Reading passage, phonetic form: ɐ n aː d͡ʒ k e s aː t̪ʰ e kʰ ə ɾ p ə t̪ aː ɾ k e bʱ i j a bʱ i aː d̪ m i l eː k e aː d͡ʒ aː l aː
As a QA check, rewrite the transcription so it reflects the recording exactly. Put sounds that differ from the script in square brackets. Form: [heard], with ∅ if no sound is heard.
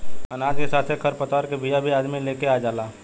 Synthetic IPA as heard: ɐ n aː d͡ʒ k e s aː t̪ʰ e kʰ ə ɾ p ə t̪ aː ɾ k e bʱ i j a bʱ i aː d̪ m i l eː k e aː d͡ʒ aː l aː